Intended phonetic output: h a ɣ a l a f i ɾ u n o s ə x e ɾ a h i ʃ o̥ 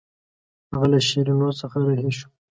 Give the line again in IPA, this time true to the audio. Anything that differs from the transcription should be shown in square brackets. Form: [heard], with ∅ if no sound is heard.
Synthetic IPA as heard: h a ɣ a l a [ʃ] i ɾ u n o s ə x [a] ɾ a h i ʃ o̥